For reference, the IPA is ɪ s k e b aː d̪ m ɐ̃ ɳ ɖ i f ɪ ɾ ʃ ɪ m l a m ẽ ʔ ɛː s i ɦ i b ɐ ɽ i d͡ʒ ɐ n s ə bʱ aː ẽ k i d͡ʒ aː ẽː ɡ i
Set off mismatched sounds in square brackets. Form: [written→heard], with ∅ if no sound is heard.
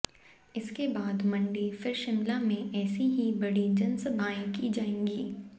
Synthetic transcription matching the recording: ɪ s k e b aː d̪ m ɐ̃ ɳ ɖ i f ɪ ɾ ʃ ɪ m l a m ẽ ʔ ɛː s i ɦ i b ɐ ɽ i d͡ʒ ɐ n s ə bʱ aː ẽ k i d͡ʒ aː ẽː ɡ [i→iː]